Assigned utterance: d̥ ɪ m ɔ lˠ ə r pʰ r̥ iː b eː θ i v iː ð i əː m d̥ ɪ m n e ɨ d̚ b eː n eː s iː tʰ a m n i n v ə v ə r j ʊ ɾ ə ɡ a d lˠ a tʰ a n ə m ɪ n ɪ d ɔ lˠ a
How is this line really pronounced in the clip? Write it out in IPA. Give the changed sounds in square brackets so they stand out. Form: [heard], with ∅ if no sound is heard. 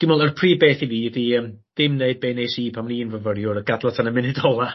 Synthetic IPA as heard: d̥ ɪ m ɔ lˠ ə r pʰ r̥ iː b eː θ i v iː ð i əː m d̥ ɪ m n e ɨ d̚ b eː n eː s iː [pʰ] a m n i n v ə v ə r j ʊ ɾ ə ɡ a d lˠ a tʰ a n ə m ɪ n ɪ d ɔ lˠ a

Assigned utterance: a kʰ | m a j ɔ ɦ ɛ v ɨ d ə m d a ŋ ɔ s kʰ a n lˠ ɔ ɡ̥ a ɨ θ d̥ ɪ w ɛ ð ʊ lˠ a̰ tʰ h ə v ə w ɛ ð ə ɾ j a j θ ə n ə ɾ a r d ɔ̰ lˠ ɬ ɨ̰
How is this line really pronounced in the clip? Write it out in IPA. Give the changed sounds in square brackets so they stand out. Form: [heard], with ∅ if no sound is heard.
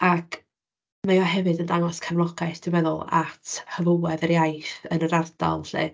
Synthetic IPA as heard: a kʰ | m a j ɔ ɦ ɛ v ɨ d ə [n] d a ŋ ɔ s kʰ a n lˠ ɔ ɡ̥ a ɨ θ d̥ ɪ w ɛ ð ʊ lˠ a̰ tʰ h ə v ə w ɛ ð ə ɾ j a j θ ə n ə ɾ a r d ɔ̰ lˠ ɬ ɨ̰

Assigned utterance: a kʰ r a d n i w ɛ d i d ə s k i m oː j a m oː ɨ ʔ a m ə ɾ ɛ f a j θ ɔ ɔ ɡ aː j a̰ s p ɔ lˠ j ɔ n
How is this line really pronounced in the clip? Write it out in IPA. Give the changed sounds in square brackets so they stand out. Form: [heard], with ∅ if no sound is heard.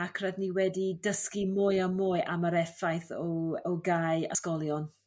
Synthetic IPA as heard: a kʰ r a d n i w ɛ d i d ə s k i m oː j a m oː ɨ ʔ a m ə ɾ ɛ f a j θ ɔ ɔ ɡ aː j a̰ s [k] ɔ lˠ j ɔ n

